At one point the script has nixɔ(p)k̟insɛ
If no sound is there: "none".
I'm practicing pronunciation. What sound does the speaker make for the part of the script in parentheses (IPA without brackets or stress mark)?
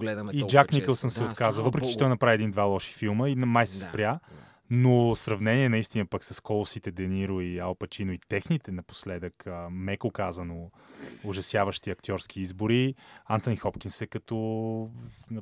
p